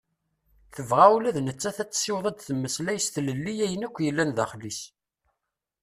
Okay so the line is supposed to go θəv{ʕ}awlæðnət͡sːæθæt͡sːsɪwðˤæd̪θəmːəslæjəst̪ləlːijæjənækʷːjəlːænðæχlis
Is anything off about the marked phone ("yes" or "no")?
yes